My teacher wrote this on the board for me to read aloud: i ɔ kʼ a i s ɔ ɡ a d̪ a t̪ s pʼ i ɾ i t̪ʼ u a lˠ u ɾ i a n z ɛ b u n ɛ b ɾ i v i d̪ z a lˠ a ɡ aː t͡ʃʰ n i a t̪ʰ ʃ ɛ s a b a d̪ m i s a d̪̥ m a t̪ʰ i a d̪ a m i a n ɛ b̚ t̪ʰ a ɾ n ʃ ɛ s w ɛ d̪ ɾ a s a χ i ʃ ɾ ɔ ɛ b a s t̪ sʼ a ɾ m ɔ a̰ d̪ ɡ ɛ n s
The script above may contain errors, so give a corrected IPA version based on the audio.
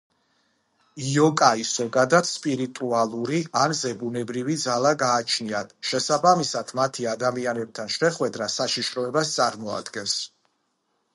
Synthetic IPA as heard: i ɔ kʼ a i s ɔ ɡ a d̪ a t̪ s pʼ i ɾ i t̪ʼ u a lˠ u ɾ i a n z ɛ b u n ɛ b ɾ i v i d̪ z a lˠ a ɡ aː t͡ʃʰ n i a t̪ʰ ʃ ɛ s a b a m i s a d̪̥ m a t̪ʰ i a d̪ a m i a n ɛ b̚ t̪ʰ a n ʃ ɛ χ w ɛ d̪ ɾ a s a ʃ i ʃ ɾ ɔ ɛ b a s t̪ sʼ a ɾ m ɔ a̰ d̪ ɡ ɛ n s